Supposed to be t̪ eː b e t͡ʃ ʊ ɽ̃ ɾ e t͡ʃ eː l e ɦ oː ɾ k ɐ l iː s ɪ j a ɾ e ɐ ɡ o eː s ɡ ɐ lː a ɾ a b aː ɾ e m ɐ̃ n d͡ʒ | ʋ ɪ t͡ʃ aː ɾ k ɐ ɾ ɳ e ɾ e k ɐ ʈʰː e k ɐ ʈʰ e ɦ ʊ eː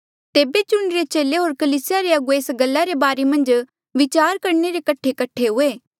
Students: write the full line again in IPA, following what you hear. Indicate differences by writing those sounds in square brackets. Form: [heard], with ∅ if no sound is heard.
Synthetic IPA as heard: t̪ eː b e t͡ʃ ʊ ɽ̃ ɾ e t͡ʃ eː l e ɦ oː ɾ k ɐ l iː s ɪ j a ɾ e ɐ ɡ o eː s ɡ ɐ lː a ɾ [e] b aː ɾ e m ɐ̃ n d͡ʒ | ʋ ɪ t͡ʃ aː ɾ k ɐ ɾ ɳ e ɾ e k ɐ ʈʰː e k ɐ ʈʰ e ɦ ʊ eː